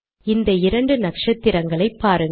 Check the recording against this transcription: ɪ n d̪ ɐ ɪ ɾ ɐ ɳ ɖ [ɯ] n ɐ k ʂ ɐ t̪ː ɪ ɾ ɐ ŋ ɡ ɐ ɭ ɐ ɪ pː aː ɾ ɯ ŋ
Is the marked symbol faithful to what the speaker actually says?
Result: yes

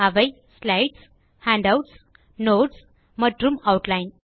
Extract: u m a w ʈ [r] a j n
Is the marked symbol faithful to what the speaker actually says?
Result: no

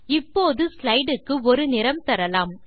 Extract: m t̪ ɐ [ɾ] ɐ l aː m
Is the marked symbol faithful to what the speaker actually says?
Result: yes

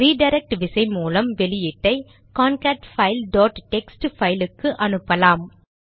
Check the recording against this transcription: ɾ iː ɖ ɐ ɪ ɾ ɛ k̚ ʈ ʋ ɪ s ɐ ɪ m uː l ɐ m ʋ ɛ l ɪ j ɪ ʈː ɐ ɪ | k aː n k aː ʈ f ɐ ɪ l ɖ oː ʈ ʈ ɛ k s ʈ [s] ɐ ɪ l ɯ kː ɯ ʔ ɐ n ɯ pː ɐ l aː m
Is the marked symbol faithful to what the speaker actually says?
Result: no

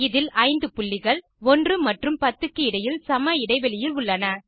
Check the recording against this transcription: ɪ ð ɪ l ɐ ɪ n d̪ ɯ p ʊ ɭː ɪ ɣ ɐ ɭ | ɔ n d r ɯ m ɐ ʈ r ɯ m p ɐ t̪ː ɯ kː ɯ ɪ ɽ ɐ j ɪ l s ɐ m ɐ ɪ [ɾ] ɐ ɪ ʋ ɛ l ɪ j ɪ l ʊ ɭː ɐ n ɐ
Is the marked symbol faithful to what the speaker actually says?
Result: no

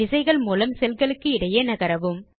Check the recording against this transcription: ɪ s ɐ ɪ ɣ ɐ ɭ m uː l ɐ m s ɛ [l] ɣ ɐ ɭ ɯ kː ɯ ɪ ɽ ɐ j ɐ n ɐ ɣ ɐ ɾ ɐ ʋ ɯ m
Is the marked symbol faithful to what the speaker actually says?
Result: yes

